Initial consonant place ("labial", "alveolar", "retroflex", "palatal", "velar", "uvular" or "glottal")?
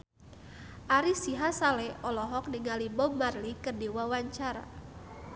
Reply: glottal